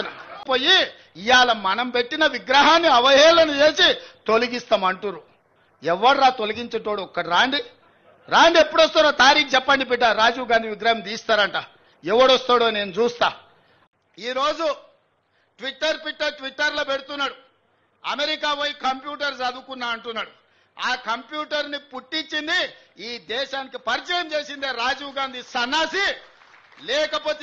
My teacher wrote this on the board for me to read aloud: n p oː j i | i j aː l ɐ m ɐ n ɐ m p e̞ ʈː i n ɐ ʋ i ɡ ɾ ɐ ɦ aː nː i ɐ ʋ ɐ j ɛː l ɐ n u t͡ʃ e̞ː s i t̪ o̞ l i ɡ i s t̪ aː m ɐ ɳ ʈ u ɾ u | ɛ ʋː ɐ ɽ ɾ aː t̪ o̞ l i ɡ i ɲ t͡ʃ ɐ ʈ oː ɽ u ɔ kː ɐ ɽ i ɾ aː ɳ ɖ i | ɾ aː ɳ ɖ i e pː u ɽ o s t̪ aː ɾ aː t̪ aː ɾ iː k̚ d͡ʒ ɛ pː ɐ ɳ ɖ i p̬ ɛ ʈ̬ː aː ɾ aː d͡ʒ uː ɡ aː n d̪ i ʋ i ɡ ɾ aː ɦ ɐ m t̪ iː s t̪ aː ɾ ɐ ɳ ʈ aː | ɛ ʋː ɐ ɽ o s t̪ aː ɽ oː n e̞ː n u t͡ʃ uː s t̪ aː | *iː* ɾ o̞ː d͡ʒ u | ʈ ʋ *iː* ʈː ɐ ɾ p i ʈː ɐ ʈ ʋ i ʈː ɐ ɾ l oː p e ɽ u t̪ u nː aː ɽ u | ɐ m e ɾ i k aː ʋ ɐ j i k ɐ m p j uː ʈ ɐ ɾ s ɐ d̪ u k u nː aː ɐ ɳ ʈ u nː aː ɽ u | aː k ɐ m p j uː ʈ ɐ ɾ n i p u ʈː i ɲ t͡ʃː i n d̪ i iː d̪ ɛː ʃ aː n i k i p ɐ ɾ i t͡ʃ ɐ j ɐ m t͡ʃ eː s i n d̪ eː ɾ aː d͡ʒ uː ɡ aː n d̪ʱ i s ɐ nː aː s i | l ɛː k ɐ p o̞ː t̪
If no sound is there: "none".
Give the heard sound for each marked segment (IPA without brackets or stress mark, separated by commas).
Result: iː, i